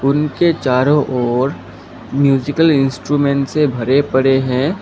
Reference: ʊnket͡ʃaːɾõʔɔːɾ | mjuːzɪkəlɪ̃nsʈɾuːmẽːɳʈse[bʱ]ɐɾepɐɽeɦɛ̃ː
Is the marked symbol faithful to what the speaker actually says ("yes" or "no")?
yes